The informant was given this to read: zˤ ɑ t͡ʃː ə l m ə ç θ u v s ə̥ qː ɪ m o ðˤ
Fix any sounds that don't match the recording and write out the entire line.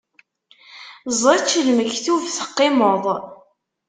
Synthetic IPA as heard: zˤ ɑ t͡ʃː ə l m ə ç θ u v θ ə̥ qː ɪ m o ðˤ

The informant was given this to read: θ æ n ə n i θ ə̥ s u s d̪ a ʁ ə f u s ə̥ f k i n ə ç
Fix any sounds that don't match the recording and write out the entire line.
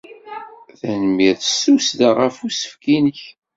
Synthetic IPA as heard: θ æ n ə m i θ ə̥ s u s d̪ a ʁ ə f u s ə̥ f k i n ə ç

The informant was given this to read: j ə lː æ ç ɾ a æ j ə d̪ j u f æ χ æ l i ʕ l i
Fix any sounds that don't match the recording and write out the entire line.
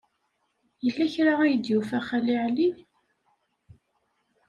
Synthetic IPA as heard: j ə lː æ ç ɾ a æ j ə d̪ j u f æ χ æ l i ʕ l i

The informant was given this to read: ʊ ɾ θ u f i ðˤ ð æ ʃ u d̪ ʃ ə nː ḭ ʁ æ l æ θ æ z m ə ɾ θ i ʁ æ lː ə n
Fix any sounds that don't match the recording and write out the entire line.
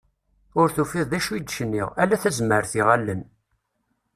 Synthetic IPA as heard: ʊ ɾ θ u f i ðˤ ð æ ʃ u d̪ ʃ ə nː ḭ ʁ æ l æ θ æ z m ə ɾ θ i ʁ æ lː ə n

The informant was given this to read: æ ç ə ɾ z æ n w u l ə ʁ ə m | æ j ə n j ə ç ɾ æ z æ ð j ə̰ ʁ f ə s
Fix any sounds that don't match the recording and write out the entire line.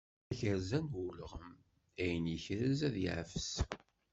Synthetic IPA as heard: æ ç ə ɾ z æ n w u l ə ʁ ə m | æ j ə n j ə ç ɾ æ z æ ð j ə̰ ʕ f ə s

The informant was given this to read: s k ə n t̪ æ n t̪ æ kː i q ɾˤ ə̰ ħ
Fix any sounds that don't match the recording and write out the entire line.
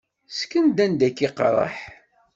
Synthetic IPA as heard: s k ə n d̪ æ n d̪ æ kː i q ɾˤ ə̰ ħ

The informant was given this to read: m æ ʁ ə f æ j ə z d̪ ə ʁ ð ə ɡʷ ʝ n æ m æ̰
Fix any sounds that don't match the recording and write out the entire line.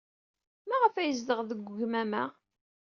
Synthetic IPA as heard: m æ ʁ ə f æ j ə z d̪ ə ʁ ð ə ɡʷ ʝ m æ m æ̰

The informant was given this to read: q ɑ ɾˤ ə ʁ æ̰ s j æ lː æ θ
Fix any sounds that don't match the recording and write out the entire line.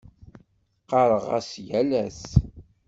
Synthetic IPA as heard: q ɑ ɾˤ ə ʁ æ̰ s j æ l æ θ

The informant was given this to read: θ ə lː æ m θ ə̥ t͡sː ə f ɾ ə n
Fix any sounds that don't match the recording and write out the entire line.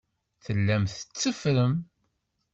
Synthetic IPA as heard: θ ə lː æ m θ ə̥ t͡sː ə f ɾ ə m

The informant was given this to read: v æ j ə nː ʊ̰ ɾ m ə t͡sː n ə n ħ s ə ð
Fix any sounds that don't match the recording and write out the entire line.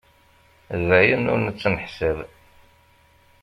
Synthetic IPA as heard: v æ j ə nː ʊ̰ ɾ n ə t͡sː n ə ħ s ə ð

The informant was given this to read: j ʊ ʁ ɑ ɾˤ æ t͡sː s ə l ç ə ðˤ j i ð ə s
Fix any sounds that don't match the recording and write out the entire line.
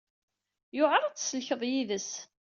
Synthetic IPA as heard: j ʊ ʁ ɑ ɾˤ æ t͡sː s ə l ç ə ðˤ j i ð ə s

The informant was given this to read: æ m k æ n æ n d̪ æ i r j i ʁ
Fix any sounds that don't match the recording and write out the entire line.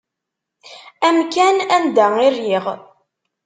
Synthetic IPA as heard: æ m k æ n æ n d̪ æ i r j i ʁ

